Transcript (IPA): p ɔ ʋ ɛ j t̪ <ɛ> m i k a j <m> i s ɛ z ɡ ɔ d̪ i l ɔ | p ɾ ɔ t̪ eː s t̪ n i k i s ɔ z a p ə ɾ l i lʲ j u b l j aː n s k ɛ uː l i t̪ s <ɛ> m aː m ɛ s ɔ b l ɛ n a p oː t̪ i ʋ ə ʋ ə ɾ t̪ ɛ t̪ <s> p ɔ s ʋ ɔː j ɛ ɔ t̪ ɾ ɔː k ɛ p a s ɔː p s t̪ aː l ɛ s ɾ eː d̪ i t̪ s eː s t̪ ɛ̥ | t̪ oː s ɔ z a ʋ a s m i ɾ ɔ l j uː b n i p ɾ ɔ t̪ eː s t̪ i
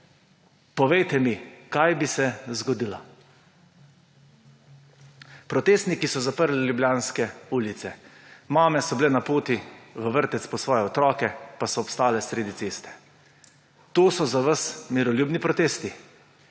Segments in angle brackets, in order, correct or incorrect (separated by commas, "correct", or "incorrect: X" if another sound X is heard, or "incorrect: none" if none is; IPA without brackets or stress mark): correct, incorrect: b, correct, correct